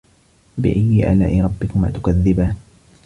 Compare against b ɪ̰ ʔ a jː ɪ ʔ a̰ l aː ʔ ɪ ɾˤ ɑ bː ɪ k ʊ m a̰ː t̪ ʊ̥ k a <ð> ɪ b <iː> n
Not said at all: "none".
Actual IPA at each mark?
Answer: ðː, aː

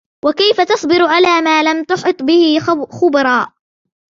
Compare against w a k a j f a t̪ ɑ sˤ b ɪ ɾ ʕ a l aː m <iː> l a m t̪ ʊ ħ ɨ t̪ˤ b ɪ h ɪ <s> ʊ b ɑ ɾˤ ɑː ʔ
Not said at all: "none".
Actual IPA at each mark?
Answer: aː, x

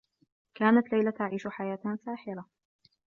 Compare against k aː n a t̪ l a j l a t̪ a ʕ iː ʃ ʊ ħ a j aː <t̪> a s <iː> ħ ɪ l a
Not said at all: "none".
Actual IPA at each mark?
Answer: t̪, aː

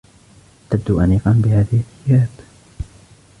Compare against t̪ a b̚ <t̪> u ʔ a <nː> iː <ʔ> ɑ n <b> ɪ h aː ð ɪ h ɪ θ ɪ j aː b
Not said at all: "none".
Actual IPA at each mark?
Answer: d̪, n, q, b

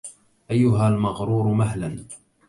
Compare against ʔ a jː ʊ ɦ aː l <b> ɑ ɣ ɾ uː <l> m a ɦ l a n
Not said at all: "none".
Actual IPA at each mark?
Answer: m, ɾ

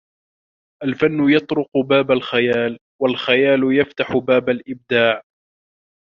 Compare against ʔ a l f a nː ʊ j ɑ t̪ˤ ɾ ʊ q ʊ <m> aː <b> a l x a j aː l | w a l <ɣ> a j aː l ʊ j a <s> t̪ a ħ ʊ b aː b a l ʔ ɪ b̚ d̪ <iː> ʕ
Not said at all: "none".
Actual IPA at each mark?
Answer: b, b, x, f, aː

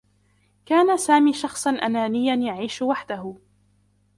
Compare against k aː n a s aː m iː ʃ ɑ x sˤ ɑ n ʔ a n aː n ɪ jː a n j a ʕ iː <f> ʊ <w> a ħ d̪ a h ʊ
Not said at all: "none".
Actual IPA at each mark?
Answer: ʃ, w

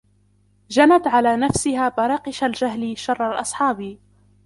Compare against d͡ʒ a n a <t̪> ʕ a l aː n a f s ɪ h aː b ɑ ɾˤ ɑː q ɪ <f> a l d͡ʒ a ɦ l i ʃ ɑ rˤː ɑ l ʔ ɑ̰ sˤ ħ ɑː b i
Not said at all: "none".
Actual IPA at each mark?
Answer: t̪, ʃ

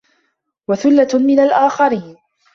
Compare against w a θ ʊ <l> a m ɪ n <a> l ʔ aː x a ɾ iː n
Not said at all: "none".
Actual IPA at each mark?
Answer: lː, a

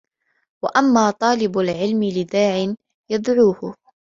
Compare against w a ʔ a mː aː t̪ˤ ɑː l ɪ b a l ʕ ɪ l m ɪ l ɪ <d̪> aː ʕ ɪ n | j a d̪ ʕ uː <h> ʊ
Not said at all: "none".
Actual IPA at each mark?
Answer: d̪, h

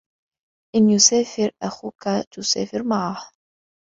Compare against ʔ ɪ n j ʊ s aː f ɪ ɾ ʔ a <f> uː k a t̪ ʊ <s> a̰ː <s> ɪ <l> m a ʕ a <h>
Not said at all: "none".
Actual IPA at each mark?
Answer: x, s, f, ɾ, h

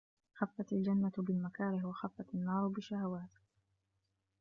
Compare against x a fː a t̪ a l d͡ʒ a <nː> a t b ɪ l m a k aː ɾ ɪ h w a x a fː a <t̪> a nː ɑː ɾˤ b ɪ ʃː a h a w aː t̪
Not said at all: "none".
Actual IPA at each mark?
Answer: nː, t̪

